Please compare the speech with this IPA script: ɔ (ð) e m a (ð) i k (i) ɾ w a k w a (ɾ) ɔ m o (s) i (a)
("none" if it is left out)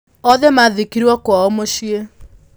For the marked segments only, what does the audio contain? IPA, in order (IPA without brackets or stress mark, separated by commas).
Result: ð, ð, i, none, ʃ, e